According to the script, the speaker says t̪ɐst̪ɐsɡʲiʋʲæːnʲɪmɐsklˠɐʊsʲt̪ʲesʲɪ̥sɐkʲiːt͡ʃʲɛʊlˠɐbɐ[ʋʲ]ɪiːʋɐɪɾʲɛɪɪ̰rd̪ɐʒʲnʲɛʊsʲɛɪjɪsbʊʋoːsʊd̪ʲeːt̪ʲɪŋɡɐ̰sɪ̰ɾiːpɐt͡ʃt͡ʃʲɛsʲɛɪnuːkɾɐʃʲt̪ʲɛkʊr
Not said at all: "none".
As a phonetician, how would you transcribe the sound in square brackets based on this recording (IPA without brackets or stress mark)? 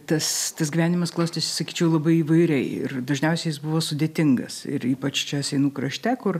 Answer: none